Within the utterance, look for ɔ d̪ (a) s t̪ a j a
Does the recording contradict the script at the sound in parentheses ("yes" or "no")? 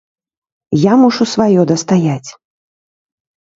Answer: yes